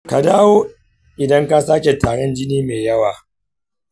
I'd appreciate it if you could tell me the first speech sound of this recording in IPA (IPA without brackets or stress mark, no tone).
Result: k